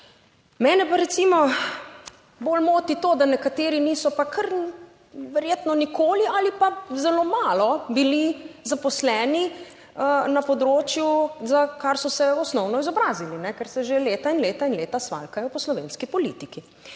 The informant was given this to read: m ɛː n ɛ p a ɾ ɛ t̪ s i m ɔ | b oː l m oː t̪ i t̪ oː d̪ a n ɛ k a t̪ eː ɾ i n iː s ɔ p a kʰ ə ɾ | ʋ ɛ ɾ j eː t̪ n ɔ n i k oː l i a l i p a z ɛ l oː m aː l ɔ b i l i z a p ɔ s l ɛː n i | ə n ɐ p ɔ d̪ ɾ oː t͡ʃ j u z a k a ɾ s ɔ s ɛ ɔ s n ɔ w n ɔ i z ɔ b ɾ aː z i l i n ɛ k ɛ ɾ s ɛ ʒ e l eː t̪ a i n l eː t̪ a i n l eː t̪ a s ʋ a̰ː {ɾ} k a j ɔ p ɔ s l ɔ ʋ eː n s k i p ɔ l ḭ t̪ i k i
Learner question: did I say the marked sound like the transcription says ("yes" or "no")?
no